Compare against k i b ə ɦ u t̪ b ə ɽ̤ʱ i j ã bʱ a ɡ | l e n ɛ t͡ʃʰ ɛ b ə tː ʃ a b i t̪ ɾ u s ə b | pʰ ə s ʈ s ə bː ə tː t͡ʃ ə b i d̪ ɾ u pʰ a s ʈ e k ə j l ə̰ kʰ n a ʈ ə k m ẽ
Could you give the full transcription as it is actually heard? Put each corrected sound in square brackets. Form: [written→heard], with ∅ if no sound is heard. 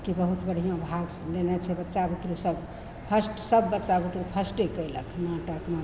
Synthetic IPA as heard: k i b ə ɦ u t̪ b ə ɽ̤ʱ i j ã bʱ a ɡ | l e n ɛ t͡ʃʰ ɛ b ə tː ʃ a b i t̪ ɾ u s ə b | pʰ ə s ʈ s ə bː ə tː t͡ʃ [ə→a] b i [d̪→t̪] ɾ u pʰ [a→ə] s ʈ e k ə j l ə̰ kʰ n a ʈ ə k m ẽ